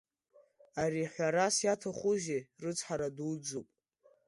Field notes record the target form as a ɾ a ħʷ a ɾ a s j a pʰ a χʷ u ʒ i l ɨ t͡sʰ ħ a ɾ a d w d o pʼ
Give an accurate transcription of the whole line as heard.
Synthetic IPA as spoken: a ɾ i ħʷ a ɾ a s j a tʰ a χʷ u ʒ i r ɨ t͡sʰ ħ a ɾ a d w d͡z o pʼ